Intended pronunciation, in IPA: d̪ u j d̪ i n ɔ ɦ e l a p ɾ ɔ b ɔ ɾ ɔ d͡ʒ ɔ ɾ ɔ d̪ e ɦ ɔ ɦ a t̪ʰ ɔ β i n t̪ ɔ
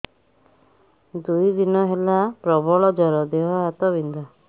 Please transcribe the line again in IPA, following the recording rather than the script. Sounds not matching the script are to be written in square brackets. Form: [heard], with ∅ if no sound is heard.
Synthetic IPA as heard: d̪ u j d̪ i n ɔ ɦ e l a p ɾ ɔ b ɔ [ɭ] ɔ d͡ʒ ɔ ɾ ɔ d̪ e ɦ ɔ ɦ a [t̪] ɔ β i n [d̪] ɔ